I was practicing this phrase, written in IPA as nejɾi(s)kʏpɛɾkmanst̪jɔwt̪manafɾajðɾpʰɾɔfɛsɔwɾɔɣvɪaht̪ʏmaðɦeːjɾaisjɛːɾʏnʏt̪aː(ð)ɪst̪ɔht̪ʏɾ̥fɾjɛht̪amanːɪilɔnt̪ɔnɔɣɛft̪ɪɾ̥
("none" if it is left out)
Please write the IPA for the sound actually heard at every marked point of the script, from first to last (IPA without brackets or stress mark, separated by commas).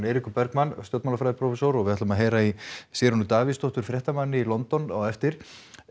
none, v